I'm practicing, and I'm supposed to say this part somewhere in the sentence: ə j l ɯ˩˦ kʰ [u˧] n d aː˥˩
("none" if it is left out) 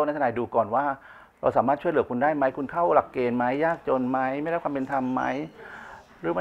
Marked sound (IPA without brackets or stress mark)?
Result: u˧